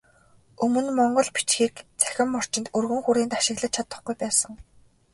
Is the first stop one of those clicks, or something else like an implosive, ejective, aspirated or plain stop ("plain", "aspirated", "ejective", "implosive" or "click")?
plain